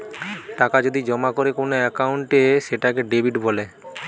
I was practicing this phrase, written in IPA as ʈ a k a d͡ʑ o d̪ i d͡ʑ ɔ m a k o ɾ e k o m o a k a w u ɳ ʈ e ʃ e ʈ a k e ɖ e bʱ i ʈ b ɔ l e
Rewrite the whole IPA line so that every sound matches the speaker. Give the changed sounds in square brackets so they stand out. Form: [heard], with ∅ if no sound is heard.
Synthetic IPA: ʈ a k a d͡ʑ o d̪ i d͡ʑ ɔ m a k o ɾ e k o [n] o [ɛ] k a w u ɳ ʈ e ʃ e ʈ a k e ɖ e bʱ i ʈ b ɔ l e